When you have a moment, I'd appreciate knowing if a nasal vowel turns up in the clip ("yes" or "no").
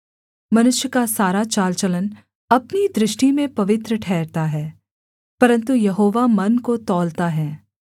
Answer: yes